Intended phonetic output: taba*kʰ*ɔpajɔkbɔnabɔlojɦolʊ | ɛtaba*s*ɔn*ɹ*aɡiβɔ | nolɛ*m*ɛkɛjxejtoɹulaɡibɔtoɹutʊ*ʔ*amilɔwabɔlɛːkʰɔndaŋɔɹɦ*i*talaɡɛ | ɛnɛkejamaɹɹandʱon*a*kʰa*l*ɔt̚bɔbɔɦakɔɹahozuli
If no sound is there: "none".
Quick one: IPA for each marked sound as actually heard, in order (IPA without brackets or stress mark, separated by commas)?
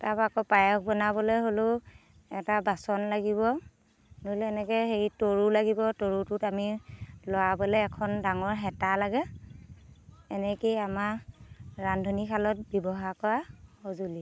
k, s, l, n, t, ɛ, i, l